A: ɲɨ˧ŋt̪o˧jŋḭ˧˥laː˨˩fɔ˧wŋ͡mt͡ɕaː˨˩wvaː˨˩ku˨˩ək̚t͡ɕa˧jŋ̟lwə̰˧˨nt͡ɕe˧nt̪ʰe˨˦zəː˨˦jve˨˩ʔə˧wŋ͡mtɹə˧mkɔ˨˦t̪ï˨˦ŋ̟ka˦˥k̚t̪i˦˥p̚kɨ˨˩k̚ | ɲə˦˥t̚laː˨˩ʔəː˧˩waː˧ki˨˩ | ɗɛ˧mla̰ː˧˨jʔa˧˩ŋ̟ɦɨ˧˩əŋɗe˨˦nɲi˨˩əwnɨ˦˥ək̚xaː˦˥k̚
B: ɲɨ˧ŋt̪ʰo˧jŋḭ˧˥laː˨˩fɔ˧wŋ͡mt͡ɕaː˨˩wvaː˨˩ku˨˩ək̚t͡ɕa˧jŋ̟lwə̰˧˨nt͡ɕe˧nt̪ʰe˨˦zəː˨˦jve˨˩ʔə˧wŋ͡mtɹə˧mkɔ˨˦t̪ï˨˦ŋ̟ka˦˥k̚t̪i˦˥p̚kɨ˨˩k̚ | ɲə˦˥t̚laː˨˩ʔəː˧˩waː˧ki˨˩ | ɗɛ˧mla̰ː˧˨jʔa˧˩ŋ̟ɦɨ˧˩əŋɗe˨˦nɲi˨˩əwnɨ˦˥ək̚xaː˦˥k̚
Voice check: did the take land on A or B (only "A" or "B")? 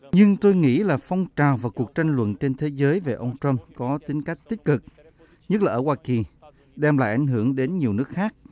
A